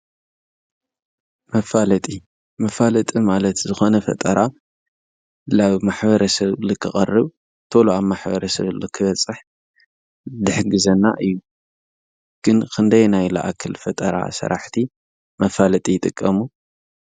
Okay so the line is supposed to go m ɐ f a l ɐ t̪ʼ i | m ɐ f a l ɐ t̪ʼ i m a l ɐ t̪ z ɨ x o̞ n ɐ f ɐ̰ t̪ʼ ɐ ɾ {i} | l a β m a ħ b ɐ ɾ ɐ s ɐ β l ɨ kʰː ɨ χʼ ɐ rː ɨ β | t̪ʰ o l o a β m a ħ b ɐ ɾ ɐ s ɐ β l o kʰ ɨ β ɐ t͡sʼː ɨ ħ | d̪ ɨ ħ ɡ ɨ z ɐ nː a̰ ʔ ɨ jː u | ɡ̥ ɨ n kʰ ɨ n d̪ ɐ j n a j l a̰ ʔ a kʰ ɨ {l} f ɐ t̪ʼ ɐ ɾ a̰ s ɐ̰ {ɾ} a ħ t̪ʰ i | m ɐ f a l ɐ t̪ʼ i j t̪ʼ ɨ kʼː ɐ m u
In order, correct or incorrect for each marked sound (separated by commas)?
incorrect, correct, correct